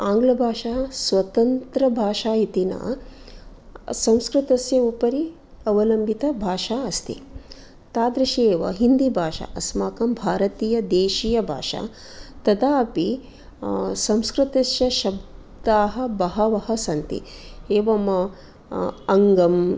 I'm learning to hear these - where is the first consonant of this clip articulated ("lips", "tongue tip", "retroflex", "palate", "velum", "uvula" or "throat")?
velum